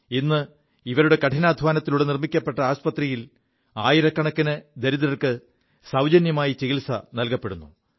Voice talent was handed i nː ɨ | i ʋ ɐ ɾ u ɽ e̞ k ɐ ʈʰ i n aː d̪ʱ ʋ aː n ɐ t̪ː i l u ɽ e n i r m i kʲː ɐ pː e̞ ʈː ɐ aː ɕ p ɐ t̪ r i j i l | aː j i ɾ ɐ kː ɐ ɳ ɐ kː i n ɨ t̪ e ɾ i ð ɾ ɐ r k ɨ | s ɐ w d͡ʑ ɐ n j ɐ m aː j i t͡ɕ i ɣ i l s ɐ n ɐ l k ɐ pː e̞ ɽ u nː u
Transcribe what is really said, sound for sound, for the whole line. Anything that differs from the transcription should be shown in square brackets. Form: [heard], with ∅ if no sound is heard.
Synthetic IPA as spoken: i nː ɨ | i ʋ ɐ ɾ u ɽ e̞ k ɐ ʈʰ i n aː d̪ʱ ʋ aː n ɐ t̪ː i l u ɽ e n i r m i kʲː ɐ pː e̞ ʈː ɐ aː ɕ p ɐ t̪ r i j i l | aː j i ɾ ɐ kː ɐ ɳ ɐ kː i n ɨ [d̪] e ɾ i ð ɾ ɐ r k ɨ | s ɐ w d͡ʑ ɐ n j ɐ m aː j i t͡ɕ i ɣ i l s ɐ n ɐ l k ɐ pː e̞ ɽ u nː u